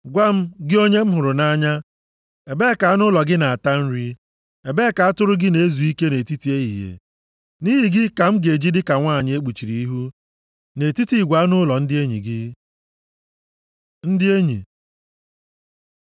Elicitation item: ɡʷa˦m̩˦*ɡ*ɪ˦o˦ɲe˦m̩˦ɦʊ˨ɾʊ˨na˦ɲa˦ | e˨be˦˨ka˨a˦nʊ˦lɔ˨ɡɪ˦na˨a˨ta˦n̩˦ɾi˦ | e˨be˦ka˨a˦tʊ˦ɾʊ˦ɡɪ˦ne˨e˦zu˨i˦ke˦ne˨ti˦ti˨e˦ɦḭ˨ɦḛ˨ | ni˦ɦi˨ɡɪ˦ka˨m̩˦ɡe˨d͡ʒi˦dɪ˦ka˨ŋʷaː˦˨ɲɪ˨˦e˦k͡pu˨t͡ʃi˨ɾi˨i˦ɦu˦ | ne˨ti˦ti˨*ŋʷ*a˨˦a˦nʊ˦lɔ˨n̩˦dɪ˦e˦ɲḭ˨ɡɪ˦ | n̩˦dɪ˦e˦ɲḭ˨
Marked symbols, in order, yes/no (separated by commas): yes, no